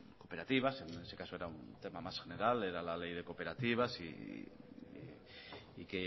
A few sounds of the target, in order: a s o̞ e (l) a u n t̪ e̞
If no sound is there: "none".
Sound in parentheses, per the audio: ɾ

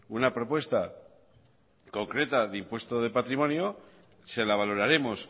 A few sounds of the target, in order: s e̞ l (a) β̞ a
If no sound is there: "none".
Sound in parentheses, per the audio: a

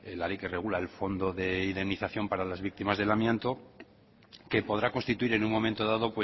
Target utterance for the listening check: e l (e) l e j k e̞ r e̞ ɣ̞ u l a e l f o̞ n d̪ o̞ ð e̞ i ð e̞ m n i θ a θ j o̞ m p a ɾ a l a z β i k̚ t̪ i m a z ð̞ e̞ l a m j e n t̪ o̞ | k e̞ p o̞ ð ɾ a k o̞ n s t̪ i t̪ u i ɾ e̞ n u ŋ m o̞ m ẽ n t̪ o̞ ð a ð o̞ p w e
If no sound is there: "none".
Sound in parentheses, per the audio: a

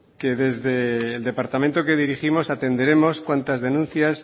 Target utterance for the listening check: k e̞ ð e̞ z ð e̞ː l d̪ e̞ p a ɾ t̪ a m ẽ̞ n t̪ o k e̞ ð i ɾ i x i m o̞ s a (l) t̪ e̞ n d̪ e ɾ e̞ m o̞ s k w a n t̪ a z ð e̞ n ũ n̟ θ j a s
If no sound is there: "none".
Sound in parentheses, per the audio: none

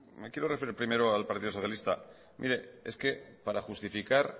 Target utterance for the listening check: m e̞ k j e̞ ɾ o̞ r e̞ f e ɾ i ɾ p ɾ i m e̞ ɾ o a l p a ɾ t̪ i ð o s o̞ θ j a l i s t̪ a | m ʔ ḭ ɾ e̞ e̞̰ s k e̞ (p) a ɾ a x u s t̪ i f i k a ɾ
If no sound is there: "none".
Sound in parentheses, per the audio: p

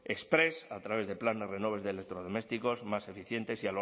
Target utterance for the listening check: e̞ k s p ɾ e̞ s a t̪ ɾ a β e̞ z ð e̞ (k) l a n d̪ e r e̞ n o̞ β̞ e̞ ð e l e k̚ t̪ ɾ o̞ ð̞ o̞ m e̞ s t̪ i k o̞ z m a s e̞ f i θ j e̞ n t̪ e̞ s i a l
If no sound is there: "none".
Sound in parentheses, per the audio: p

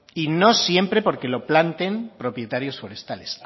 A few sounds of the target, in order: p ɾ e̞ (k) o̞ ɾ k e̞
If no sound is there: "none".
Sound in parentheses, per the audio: p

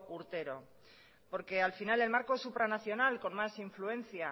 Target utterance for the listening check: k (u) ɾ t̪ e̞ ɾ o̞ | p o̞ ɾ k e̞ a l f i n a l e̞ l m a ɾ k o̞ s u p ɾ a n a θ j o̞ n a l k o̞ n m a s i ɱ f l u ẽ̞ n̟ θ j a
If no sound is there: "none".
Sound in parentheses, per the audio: u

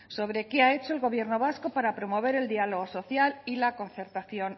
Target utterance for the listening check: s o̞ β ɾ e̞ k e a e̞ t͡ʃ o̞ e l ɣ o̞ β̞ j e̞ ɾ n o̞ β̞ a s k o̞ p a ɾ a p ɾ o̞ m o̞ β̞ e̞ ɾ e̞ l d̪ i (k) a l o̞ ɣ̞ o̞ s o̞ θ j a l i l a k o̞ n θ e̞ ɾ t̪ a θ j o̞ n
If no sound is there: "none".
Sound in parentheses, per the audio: none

